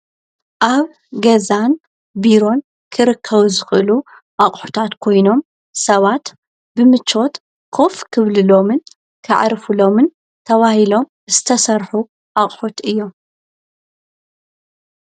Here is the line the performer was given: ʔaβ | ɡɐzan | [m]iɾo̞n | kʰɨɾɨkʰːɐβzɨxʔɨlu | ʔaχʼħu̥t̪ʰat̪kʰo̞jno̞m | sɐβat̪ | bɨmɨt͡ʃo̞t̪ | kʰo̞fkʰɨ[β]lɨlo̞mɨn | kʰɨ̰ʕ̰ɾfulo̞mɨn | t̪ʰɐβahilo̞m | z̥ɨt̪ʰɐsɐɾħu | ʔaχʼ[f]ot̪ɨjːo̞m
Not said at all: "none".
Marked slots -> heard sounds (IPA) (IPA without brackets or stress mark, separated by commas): b, β, ħ